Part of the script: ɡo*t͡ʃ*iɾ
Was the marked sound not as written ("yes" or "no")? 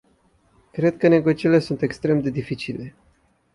no